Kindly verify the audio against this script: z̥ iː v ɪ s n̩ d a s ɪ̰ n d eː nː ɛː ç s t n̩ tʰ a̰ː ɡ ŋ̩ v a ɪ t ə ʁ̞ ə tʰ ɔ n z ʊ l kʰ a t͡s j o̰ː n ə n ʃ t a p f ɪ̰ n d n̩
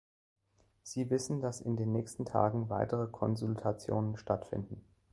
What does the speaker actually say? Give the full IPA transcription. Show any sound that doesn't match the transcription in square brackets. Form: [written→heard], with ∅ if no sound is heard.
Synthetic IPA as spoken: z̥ iː v ɪ s n̩ d a s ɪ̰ n d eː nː ɛː ç s t n̩ tʰ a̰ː ɡ ŋ̩ v a ɪ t ə ʁ̞ ə [tʰ→kʰ] ɔ n z ʊ l [kʰ→tʰ] a t͡s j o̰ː n ə n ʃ t a [p→t] f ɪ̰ n d n̩

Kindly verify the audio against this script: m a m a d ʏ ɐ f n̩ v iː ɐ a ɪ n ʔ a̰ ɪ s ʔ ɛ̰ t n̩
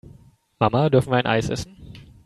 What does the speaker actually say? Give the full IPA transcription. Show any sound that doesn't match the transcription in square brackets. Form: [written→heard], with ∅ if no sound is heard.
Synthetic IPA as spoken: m a m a d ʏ ɐ f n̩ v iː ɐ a ɪ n ʔ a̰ ɪ s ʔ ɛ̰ [t→s] n̩

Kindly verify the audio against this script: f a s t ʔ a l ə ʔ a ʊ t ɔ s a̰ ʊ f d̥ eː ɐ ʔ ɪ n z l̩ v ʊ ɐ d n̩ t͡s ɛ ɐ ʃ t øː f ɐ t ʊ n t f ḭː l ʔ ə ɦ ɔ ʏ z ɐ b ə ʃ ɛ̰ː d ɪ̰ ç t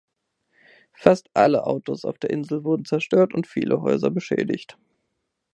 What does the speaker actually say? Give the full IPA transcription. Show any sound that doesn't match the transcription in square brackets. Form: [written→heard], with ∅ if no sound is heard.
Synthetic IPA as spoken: f a s t ʔ a l ə ʔ a ʊ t [ɔ→o] s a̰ ʊ f d̥ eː ɐ ʔ ɪ n z l̩ v ʊ ɐ d n̩ t͡s ɛ ɐ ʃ t øː [f→∅] ɐ t ʊ n t f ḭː l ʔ ə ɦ ɔ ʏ z ɐ b ə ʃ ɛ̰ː d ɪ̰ ç t

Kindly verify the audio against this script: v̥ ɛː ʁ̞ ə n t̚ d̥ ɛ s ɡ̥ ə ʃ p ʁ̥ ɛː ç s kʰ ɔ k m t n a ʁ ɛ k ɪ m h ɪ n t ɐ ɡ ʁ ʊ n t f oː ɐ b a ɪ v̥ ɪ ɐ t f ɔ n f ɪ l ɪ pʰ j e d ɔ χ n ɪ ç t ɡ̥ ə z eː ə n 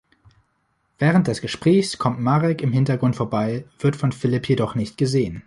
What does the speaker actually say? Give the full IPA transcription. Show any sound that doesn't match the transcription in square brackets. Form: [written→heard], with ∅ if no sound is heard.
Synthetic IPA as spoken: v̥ ɛː ʁ̞ ə n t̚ d̥ ɛ s ɡ̥ ə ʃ p ʁ̥ ɛː ç s kʰ ɔ [k→∅] m t [n→m] a ʁ ɛ k ɪ m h ɪ n t ɐ ɡ ʁ ʊ n t f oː ɐ b a ɪ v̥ ɪ ɐ t f ɔ n f ɪ l ɪ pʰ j e d ɔ χ n ɪ ç t ɡ̥ ə z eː ə n

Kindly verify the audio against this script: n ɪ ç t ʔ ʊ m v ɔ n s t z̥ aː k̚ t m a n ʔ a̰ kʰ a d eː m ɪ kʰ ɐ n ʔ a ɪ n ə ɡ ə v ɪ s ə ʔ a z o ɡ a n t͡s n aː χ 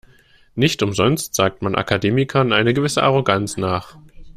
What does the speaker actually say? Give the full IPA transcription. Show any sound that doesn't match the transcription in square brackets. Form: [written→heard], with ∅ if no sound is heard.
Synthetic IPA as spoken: n ɪ ç t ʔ ʊ m [v→z] ɔ n s t z̥ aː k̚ t m a n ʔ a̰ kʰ a d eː m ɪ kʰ ɐ n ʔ a ɪ n ə ɡ ə v ɪ s ə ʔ a [z→ʁ] o ɡ a n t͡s n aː χ

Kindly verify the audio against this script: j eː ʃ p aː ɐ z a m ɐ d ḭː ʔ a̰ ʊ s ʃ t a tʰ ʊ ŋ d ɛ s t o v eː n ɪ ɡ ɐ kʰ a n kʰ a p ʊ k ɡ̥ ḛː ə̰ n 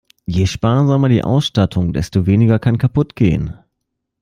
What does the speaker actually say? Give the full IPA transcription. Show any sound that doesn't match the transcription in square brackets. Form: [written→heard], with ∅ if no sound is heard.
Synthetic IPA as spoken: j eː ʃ p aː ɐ z a m ɐ d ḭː ʔ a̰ ʊ s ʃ t a tʰ ʊ ŋ d ɛ s t o v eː n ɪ ɡ ɐ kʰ a n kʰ a p ʊ [k→t] ɡ̥ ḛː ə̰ n

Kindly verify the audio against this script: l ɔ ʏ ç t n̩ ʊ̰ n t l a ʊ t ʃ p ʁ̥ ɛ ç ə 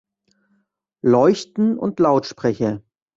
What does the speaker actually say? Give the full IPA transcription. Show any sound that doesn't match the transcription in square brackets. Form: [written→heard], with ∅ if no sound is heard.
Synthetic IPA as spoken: l ɔ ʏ ç t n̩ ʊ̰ n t l a ʊ t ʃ p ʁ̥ ɛ ç ə

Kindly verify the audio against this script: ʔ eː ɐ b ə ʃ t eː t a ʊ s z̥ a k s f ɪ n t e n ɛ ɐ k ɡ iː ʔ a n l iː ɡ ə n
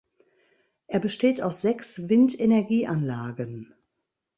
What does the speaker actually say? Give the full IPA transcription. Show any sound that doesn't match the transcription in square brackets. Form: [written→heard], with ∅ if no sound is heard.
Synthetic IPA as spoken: ʔ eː ɐ b ə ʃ t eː t a ʊ s z̥ [a→ɛ] k s [f→v] ɪ n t e n ɛ ɐ [k→∅] ɡ iː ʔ a n l [iː→aː] ɡ ə n

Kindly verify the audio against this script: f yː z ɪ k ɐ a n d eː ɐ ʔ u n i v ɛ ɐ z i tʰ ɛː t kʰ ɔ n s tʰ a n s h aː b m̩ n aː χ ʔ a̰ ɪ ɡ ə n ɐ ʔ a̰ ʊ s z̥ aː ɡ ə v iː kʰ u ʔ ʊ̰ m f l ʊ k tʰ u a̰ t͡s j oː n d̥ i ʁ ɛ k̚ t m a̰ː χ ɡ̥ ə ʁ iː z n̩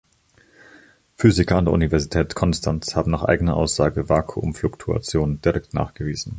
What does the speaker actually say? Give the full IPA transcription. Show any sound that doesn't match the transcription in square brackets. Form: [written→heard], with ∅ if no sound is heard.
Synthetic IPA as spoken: f yː z ɪ k ɐ a n d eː ɐ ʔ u n i v ɛ ɐ z i tʰ ɛː t kʰ ɔ n s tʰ a n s h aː b m̩ n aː χ ʔ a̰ ɪ ɡ ə n ɐ ʔ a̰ ʊ s z̥ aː ɡ ə v [iː→aː] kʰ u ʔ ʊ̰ m f l ʊ k tʰ u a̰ t͡s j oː n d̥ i ʁ ɛ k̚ t [m→n] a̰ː χ ɡ̥ ə [ʁ→v] iː z n̩

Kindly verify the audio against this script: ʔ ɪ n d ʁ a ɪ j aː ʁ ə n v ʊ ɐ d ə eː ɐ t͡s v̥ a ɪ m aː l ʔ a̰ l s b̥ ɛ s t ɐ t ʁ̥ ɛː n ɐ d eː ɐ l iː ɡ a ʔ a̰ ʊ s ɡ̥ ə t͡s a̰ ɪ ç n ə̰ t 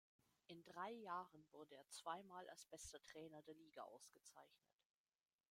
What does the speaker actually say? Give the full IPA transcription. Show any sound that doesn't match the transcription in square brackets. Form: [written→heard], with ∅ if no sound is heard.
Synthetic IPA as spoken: ʔ ɪ n d ʁ a ɪ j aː ʁ ə n v ʊ ɐ d ə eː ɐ t͡s v̥ a ɪ m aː l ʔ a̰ l s b̥ ɛ s t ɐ t ʁ̥ ɛː n ɐ d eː ɐ l iː ɡ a ʔ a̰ ʊ s ɡ̥ ə t͡s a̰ ɪ ç n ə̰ t

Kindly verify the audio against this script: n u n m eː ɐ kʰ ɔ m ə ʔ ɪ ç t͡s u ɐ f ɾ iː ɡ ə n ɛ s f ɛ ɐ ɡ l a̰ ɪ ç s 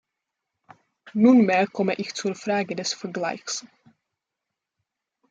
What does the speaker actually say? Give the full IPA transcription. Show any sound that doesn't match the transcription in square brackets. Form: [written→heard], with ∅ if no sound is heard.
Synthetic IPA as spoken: n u n m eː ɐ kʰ ɔ m ə ʔ ɪ ç t͡s u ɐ f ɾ [iː→aː] ɡ ə [n→d] ɛ s f ɛ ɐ ɡ l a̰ ɪ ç s

